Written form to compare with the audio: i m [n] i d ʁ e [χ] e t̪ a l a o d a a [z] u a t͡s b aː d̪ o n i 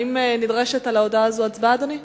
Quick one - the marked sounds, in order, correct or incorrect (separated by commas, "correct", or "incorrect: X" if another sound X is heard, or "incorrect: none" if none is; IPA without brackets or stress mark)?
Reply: correct, incorrect: ʃ, correct